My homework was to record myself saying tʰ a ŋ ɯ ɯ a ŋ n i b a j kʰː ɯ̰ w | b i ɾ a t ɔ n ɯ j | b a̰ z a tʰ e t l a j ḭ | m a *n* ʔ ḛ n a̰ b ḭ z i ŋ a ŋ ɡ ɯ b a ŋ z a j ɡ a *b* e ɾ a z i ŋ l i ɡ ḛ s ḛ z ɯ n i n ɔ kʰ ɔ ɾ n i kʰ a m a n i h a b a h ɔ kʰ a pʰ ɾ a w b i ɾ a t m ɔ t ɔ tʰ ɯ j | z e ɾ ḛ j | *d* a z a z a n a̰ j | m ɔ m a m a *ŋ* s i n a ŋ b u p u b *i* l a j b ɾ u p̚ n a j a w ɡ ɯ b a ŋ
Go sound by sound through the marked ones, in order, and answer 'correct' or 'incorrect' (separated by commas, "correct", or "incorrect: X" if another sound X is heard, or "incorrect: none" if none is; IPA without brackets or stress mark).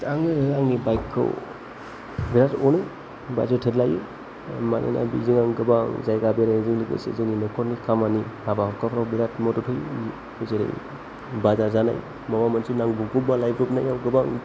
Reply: correct, correct, incorrect: b, incorrect: n, incorrect: a